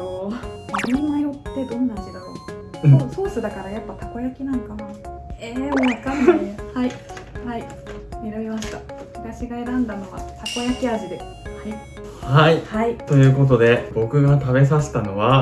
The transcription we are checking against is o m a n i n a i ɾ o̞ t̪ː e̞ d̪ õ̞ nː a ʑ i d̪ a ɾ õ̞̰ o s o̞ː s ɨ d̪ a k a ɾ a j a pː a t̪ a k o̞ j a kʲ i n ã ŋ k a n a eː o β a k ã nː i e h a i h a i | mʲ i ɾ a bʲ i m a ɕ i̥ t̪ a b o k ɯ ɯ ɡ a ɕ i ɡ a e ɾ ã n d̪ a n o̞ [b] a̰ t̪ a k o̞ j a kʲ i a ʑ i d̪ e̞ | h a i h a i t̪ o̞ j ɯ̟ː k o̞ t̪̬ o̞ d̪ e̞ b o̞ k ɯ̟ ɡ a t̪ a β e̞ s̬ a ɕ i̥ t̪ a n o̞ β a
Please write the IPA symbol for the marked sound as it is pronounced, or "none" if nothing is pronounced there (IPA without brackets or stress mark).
β